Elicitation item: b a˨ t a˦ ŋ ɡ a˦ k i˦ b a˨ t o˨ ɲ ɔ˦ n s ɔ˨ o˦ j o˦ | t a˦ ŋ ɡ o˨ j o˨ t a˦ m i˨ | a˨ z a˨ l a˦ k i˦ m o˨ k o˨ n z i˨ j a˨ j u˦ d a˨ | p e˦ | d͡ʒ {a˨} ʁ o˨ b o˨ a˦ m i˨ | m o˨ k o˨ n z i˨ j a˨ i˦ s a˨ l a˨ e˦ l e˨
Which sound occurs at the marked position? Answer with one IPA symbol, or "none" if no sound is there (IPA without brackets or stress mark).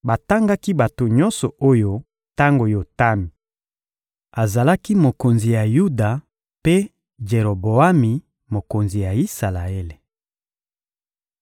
e˨